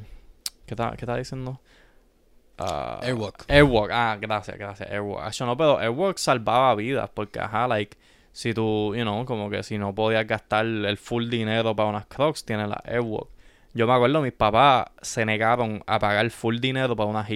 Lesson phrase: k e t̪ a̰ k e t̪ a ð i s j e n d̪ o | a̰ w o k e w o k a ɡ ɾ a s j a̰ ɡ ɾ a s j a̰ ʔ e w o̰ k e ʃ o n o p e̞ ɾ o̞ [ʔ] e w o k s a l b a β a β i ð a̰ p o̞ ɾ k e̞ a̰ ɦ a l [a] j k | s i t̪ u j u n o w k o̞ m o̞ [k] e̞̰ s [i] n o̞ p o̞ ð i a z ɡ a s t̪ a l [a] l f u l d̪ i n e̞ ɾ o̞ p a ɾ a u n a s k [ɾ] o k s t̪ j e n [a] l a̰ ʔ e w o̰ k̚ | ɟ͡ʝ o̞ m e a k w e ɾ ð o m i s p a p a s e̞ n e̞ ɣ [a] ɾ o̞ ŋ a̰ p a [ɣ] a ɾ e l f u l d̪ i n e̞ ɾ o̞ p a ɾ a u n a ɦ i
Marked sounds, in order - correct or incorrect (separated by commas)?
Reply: correct, correct, correct, correct, incorrect, correct, incorrect, correct, correct